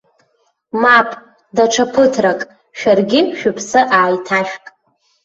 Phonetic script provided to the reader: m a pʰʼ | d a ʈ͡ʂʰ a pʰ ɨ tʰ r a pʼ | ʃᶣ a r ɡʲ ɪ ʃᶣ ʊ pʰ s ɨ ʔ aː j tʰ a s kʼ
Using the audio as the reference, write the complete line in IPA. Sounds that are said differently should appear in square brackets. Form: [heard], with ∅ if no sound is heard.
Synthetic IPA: m a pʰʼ | d a ʈ͡ʂʰ a pʰ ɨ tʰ r a [kʼ] | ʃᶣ a r ɡʲ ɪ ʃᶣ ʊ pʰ s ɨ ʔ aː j tʰ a [ʃ] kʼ